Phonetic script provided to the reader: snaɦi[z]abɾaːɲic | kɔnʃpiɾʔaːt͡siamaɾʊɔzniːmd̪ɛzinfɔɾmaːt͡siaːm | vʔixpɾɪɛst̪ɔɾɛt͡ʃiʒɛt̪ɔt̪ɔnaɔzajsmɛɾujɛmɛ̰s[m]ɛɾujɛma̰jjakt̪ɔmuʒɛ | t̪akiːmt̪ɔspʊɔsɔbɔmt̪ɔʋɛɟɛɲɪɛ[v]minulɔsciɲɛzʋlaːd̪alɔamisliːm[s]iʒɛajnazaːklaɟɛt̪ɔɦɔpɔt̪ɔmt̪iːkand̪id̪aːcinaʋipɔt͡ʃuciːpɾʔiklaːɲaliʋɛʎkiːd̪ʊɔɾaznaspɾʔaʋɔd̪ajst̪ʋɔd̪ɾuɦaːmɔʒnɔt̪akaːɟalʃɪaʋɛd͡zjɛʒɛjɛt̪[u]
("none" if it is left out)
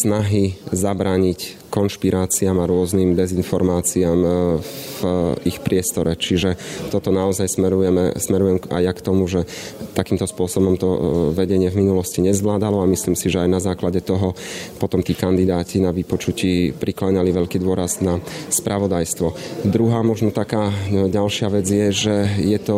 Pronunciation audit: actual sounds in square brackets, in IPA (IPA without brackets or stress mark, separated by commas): z, m, v, s, ɔ